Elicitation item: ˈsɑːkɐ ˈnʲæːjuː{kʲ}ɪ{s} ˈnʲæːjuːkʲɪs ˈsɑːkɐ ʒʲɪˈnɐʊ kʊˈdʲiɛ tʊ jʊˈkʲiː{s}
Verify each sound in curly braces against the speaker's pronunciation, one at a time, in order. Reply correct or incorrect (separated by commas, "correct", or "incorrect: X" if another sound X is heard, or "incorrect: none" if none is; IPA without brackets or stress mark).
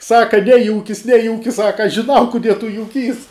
correct, correct, correct